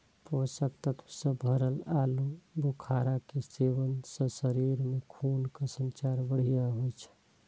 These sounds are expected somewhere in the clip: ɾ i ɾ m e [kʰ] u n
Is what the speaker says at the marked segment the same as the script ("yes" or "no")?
yes